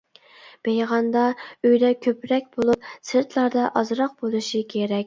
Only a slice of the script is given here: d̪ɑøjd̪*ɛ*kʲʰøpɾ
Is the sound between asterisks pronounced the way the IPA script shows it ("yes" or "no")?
yes